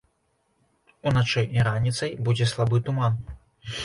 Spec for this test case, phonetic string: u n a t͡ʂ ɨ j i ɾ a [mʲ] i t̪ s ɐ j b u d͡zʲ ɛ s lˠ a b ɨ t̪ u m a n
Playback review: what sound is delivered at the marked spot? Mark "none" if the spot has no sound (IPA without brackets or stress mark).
nʲ